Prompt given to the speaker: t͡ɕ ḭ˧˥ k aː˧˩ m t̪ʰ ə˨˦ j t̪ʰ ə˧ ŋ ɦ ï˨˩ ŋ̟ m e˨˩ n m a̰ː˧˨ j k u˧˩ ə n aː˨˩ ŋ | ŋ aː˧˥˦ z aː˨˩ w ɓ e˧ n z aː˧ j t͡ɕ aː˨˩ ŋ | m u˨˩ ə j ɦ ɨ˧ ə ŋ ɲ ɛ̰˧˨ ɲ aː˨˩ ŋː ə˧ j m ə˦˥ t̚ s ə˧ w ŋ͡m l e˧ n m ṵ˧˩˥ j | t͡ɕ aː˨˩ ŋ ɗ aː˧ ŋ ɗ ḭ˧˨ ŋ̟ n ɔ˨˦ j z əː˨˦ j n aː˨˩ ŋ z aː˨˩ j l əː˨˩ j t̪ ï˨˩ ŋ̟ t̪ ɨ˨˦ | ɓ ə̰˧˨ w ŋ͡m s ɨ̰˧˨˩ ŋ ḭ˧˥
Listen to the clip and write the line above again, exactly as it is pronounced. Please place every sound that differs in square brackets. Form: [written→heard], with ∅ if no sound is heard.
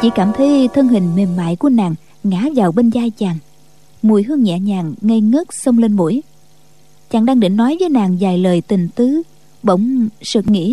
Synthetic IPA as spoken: t͡ɕ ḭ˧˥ k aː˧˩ m t̪ʰ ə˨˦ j t̪ʰ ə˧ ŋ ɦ ï˨˩ ŋ̟ m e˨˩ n m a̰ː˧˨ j k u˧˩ ə n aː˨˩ ŋ | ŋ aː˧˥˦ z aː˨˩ w ɓ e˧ n z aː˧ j t͡ɕ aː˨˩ ŋ | m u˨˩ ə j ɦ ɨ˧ ə ŋ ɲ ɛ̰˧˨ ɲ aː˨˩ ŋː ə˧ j [m→ŋ] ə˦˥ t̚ s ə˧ w ŋ͡m l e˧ n m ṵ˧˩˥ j | t͡ɕ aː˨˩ ŋ ɗ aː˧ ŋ ɗ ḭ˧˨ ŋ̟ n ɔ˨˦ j [z→v] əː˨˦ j n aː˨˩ ŋ z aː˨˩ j l əː˨˩ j t̪ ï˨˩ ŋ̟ t̪ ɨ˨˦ | ɓ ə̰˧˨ w ŋ͡m s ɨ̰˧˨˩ ŋ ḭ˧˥